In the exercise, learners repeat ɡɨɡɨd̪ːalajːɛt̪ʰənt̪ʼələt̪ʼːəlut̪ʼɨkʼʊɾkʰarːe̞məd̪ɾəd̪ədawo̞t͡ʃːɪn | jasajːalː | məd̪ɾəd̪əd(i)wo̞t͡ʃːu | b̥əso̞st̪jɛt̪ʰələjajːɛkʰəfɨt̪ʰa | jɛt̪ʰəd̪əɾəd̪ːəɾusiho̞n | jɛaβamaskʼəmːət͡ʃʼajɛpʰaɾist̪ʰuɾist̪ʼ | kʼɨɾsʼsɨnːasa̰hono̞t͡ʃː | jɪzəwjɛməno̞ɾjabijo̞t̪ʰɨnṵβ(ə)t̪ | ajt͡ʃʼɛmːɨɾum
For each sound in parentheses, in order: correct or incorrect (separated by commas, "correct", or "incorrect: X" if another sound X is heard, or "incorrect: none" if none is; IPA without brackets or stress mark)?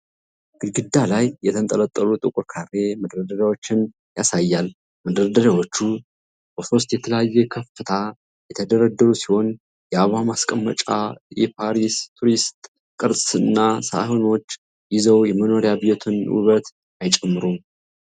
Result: incorrect: a, correct